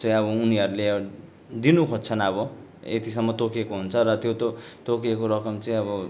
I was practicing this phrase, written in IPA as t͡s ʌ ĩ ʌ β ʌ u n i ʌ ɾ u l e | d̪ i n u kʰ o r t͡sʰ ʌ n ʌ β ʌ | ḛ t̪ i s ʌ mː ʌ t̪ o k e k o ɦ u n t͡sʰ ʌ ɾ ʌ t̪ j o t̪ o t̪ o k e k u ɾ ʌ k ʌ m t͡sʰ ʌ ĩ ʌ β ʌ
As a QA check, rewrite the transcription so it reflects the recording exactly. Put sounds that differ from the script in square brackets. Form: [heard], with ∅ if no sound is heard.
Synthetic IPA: t͡s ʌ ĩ ʌ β ʌ u n i ʌ ɾ u l e | d̪ i n u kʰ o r t͡sʰ ʌ n ʌ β ʌ | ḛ t̪ i s ʌ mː ʌ t̪ o k e k o ɦ u n t͡sʰ ʌ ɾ ʌ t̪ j o t̪ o t̪ o k e k [o] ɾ ʌ k ʌ m [t͡s] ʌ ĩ ʌ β ʌ